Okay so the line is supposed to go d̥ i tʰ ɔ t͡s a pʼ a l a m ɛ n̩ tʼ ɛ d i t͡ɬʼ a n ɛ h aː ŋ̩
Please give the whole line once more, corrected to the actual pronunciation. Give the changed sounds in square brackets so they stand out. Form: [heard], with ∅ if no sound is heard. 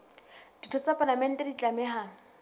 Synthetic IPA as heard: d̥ i tʰ ɔ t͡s a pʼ a l a m ɛ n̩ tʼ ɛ d i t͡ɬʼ a [m] ɛ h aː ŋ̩